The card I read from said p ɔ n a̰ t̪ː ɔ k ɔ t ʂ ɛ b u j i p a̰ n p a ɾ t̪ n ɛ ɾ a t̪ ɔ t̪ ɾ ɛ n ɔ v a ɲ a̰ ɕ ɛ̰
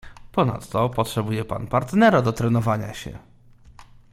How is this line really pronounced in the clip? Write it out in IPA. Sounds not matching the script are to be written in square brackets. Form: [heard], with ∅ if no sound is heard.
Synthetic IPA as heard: p ɔ n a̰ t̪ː ɔ [p] ɔ t ʂ ɛ b u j [ɛ] p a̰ n p a ɾ t̪ n ɛ ɾ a [d̪] ɔ t̪ ɾ ɛ n ɔ v a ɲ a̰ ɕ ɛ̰